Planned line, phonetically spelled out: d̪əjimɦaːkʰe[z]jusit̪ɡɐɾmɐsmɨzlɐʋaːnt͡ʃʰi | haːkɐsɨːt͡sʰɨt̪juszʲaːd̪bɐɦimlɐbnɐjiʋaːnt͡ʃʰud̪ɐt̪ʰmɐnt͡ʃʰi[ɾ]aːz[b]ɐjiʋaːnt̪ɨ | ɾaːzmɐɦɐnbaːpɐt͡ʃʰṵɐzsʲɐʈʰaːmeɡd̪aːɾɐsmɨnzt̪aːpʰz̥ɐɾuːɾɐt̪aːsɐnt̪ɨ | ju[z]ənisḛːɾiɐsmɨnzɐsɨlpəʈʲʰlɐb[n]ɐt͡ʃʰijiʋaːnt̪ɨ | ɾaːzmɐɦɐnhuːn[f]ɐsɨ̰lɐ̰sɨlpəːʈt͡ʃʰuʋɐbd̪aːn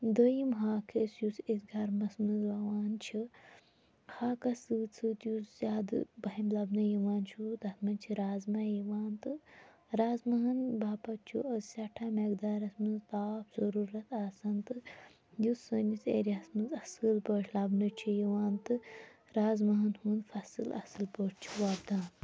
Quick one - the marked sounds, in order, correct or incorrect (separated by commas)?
incorrect, correct, incorrect, incorrect, correct, correct